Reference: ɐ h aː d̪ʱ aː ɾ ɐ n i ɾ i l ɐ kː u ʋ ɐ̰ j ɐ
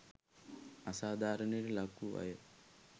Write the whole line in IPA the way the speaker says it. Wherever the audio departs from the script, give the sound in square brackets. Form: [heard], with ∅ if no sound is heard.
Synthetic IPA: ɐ [s] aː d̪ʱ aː ɾ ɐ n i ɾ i l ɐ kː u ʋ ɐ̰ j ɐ